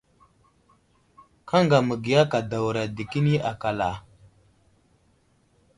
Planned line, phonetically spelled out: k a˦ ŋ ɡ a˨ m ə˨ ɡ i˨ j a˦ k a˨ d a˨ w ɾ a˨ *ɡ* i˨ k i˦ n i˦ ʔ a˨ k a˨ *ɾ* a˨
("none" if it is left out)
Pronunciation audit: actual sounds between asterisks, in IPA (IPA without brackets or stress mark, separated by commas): d, l